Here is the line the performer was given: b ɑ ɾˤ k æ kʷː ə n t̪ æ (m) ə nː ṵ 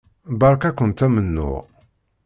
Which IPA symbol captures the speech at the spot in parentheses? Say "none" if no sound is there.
m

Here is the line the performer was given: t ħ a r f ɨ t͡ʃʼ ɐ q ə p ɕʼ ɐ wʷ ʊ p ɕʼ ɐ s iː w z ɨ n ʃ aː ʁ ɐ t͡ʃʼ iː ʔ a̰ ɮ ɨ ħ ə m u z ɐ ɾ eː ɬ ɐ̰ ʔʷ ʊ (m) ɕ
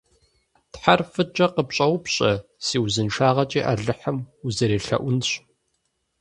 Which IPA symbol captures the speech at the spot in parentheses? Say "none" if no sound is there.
n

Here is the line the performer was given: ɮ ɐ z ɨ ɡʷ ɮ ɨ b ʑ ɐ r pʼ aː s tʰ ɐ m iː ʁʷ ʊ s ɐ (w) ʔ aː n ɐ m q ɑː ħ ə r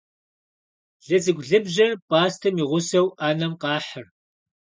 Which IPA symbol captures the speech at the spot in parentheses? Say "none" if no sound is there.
w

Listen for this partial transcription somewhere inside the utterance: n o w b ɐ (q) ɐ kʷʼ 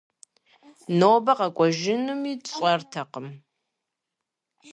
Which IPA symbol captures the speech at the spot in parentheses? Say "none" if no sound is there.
q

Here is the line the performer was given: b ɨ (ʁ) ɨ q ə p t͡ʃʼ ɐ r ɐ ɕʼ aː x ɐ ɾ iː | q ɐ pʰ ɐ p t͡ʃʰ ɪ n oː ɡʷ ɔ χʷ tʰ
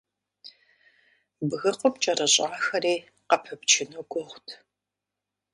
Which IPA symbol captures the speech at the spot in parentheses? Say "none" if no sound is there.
ɣ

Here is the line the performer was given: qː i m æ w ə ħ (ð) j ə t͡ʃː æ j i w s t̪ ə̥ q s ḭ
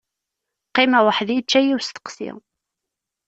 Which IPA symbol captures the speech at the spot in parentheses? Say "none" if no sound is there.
ð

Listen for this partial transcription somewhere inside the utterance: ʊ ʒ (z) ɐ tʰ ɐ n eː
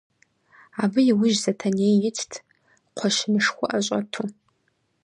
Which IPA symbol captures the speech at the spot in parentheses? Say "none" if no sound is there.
z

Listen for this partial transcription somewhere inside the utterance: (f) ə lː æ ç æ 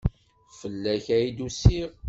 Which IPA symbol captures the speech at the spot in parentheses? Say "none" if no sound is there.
f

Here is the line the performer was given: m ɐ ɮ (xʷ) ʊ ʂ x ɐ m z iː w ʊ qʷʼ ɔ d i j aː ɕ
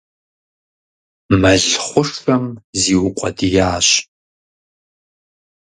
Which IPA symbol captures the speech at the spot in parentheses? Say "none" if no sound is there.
χʷ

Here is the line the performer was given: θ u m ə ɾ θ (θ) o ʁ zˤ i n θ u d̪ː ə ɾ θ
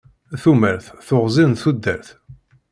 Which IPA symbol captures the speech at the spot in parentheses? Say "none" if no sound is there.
θ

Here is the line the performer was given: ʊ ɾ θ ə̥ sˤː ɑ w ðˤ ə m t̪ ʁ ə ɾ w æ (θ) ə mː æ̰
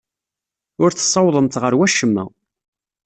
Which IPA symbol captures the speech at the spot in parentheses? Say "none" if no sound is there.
ʃ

